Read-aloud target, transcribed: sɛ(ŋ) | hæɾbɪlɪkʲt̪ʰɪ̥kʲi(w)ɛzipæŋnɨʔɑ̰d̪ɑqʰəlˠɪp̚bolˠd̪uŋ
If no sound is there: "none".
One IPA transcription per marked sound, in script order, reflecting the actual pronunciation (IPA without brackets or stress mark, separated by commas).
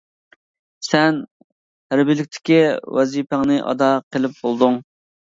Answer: n, w